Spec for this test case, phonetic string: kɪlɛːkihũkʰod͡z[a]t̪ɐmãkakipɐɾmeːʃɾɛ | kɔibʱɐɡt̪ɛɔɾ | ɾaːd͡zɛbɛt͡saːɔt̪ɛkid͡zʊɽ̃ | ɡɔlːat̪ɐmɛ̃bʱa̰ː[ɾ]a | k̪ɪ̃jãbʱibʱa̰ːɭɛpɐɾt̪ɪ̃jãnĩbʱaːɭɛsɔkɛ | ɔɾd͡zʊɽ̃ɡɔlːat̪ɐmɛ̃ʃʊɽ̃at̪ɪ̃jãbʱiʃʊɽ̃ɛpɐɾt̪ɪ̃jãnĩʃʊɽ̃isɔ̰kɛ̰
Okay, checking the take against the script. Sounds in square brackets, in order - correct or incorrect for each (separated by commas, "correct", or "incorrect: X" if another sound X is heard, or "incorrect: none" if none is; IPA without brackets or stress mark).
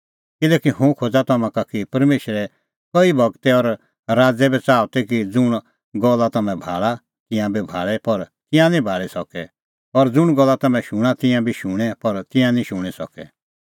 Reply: correct, incorrect: ɭ